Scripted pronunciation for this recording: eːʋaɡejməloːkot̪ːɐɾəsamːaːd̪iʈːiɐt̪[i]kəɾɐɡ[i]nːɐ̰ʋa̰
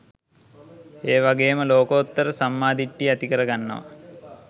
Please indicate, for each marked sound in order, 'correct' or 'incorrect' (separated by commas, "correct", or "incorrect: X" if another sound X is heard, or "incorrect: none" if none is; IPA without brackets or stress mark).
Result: correct, incorrect: a